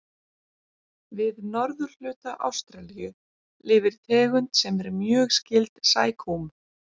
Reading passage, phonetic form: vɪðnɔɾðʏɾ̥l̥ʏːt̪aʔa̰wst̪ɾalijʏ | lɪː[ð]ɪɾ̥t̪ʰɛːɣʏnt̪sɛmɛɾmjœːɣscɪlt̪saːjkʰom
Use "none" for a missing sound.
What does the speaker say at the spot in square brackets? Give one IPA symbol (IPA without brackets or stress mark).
v